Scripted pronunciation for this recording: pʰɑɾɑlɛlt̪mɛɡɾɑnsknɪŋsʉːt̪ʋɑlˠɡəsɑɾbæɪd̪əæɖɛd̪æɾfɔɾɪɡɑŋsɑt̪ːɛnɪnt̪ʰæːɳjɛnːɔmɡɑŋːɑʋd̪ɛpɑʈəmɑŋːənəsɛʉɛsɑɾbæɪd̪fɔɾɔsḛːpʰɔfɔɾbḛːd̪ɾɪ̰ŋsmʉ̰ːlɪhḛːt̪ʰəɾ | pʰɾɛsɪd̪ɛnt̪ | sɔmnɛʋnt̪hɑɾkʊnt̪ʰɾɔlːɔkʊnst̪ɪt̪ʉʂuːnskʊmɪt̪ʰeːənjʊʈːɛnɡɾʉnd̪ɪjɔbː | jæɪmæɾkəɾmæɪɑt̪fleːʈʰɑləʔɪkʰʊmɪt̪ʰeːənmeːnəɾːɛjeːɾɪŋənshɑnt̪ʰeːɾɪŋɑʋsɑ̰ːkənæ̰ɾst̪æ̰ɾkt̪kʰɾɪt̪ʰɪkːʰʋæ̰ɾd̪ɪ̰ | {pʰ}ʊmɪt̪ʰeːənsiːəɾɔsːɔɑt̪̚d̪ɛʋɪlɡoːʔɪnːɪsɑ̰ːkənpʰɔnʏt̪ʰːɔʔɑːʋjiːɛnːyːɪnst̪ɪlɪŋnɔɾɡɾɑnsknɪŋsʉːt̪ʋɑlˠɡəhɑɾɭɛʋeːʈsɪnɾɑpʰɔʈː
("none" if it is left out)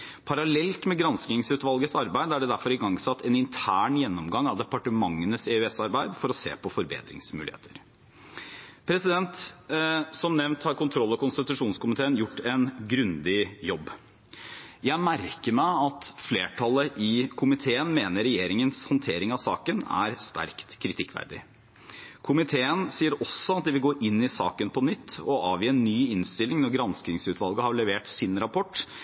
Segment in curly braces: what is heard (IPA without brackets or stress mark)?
kʰ